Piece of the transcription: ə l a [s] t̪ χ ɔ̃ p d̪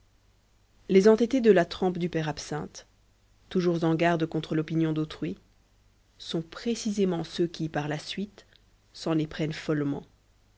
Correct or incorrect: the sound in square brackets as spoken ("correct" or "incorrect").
incorrect